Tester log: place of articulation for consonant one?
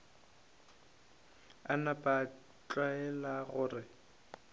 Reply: alveolar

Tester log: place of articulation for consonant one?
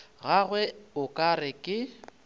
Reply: velar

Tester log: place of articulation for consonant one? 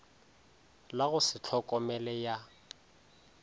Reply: alveolar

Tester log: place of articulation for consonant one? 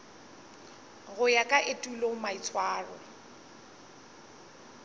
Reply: velar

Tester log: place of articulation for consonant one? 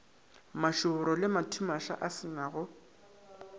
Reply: labial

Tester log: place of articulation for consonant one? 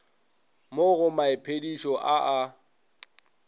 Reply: labial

